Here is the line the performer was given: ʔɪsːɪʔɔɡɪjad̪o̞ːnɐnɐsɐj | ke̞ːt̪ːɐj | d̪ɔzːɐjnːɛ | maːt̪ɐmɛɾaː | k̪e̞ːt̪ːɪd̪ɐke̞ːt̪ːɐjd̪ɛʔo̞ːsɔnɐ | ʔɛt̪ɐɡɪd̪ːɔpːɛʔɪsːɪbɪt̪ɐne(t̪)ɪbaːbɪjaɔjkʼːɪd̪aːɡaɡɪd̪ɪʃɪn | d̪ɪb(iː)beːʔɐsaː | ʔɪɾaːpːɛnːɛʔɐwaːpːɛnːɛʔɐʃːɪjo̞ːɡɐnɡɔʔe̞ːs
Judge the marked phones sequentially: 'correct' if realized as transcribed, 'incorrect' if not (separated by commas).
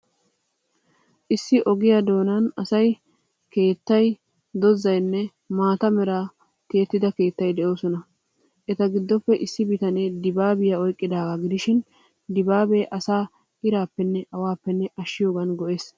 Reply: incorrect, incorrect